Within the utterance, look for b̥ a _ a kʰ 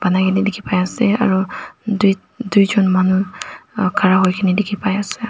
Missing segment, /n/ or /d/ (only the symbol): n